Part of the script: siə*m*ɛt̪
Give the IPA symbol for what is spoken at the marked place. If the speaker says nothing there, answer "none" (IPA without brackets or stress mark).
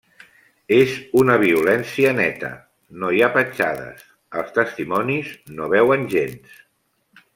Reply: n